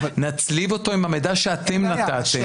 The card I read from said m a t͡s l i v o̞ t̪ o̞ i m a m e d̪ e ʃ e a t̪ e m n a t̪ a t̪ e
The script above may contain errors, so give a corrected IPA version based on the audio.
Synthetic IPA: n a t͡s l i v o̞ t̪ o̞ i m a m e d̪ a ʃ e a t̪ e m n a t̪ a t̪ e